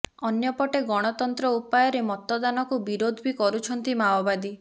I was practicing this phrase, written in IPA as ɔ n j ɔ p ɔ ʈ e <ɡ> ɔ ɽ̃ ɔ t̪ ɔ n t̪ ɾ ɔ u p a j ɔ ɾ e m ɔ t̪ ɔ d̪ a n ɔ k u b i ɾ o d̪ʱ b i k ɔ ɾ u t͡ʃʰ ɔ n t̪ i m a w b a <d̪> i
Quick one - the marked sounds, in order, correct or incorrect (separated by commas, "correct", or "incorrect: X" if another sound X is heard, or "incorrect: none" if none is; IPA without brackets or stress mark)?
correct, correct